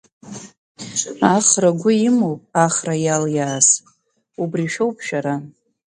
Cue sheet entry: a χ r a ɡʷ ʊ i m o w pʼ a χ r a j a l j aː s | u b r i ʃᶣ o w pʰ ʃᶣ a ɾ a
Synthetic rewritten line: a χ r a ɡʷ ʊ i m o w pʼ a χ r a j a l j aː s | u b r i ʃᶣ o w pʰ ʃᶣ a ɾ a